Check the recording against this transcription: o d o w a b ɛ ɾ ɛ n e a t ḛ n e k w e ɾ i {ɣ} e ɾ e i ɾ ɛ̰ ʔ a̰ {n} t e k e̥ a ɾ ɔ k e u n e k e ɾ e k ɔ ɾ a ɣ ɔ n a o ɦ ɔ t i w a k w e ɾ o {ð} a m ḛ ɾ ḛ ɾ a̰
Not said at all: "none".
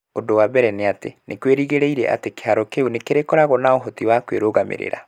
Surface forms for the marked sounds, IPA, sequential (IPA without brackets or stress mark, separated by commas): ɣ, none, ɣ